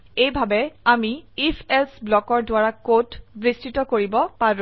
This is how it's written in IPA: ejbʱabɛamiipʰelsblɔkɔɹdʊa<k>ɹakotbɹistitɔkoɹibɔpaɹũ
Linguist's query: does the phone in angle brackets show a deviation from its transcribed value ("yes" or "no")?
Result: yes